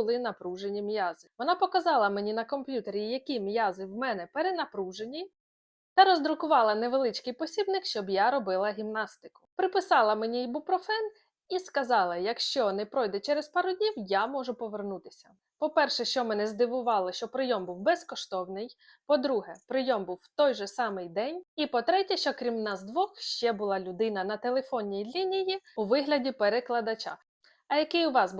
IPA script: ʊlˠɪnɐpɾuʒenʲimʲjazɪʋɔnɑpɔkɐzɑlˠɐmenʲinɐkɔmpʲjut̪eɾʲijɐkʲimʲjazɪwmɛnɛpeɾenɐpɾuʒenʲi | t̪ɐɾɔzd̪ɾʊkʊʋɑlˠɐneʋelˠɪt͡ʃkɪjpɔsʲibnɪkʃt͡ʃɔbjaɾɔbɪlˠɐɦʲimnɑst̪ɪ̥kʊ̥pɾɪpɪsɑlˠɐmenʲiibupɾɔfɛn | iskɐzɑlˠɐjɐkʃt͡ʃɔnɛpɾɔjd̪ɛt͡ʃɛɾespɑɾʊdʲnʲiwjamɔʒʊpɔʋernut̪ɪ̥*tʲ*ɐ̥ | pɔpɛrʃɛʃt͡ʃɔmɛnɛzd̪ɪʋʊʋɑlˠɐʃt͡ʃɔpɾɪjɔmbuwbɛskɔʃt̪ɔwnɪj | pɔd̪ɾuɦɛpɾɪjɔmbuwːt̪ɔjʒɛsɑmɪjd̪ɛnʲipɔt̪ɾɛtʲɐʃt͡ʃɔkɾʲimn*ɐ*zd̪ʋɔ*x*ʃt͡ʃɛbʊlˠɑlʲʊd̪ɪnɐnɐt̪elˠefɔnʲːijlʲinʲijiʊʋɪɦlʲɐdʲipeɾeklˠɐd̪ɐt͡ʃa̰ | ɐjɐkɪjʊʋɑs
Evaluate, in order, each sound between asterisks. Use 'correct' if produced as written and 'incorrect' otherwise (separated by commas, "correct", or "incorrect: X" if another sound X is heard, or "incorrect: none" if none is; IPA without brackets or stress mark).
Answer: incorrect: sʲ, incorrect: ɑ, correct